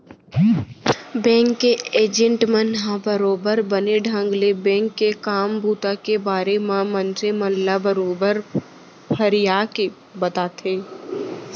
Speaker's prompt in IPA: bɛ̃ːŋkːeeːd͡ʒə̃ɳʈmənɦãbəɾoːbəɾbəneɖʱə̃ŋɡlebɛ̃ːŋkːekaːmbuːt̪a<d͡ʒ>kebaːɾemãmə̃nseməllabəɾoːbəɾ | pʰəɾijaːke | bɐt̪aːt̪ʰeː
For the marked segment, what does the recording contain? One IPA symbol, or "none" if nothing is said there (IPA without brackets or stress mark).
none